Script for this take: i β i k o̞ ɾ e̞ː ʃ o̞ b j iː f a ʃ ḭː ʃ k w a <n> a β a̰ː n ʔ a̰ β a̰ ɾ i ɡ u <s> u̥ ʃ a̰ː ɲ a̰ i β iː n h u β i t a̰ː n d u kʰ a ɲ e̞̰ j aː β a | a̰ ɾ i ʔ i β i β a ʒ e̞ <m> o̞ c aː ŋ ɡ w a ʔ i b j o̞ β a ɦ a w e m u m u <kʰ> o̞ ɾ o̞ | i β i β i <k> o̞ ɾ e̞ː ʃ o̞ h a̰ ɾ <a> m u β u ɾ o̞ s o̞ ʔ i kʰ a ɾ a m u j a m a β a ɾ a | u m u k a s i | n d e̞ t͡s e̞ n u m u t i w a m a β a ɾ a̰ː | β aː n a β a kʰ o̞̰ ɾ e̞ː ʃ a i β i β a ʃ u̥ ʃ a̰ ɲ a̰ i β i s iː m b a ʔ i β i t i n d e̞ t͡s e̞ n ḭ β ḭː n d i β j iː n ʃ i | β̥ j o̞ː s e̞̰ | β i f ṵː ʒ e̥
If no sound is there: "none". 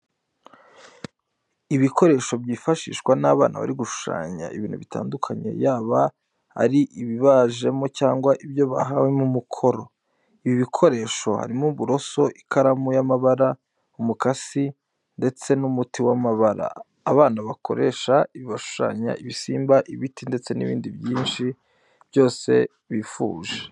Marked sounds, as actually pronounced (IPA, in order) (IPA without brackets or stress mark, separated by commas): n, ʃ, m, kʰ, kʰ, i